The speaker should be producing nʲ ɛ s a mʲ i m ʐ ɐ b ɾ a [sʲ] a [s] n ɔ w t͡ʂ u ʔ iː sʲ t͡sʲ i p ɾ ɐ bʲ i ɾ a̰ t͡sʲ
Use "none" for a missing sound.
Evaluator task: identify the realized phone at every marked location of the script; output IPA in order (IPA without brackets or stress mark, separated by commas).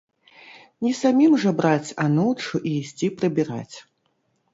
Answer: t͡sʲ, none